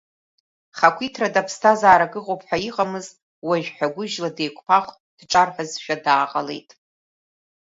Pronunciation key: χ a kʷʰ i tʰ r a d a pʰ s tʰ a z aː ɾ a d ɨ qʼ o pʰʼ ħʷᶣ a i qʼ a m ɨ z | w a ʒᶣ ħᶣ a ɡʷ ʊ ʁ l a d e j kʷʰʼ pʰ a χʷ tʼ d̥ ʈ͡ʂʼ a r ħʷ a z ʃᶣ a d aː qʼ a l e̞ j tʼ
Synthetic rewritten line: χ a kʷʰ i tʰ r a d a pʰ s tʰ a z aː ɾ a ɡ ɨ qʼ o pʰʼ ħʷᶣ a i qʼ a m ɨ z | w a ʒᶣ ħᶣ a ɡʷ ʊ ʒ l a d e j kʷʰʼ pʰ a χʷ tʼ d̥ ʈ͡ʂʼ a r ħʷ a z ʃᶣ a d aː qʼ a l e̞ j tʼ